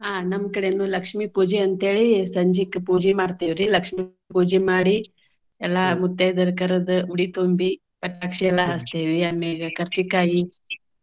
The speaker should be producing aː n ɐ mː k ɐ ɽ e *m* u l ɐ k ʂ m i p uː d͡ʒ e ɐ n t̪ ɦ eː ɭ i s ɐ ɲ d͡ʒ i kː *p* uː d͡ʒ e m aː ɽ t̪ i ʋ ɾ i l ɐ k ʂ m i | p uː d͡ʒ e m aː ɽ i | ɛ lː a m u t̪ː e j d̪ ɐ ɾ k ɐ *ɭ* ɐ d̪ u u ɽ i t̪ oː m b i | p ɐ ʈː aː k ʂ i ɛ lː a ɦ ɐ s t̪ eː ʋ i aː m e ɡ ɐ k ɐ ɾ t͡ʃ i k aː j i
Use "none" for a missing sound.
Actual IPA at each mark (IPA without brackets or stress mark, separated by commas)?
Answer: n, p, ɾ